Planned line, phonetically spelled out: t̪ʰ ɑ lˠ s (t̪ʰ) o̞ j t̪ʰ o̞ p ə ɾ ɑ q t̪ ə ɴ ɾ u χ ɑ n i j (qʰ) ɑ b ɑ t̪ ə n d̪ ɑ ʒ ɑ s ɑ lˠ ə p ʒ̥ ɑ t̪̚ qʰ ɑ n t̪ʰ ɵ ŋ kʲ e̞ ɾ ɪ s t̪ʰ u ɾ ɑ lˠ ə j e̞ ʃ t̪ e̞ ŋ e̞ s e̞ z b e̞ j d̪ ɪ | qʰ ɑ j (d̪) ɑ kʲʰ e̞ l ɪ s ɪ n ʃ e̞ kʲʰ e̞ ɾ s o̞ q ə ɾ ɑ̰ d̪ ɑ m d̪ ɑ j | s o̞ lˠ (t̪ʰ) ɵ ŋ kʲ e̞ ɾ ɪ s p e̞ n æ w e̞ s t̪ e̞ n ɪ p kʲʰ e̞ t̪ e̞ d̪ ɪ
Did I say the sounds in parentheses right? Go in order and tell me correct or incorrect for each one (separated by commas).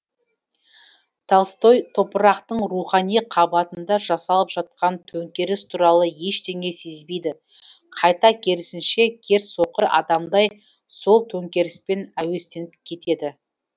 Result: incorrect, correct, incorrect, correct